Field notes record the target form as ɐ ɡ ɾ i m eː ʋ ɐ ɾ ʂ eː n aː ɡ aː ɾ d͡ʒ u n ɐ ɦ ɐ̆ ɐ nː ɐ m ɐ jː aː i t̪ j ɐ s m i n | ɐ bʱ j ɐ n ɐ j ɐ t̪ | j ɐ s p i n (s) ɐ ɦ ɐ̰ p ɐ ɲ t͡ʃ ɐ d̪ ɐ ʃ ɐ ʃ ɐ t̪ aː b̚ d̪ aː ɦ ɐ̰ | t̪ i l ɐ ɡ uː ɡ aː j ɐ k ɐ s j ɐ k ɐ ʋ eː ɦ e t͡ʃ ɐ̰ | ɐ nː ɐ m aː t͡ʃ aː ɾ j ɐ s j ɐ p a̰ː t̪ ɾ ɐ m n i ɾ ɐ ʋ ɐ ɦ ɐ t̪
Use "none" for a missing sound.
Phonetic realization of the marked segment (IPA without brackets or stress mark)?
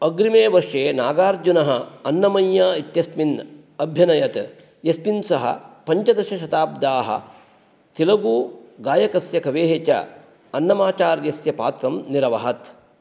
s